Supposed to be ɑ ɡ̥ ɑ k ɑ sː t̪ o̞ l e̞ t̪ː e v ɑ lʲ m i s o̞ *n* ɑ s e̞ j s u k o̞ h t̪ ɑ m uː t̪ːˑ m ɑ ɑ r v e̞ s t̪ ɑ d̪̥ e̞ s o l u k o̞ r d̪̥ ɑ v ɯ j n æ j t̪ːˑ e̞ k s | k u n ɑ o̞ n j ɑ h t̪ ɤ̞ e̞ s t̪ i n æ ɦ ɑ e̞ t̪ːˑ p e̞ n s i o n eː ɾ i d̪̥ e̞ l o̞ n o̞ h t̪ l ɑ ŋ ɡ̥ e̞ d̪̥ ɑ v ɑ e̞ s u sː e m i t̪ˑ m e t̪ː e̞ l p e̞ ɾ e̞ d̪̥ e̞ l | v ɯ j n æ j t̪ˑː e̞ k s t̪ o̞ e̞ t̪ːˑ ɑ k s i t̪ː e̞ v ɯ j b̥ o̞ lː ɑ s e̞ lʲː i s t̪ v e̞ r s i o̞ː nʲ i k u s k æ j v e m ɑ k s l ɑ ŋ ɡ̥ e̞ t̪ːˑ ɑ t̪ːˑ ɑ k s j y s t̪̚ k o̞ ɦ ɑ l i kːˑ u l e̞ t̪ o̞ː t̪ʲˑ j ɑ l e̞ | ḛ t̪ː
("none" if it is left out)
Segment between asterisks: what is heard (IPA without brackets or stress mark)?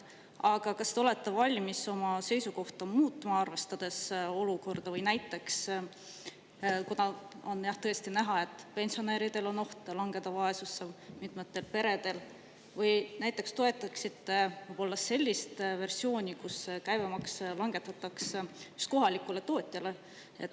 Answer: m